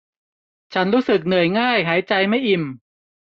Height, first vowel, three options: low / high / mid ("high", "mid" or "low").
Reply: low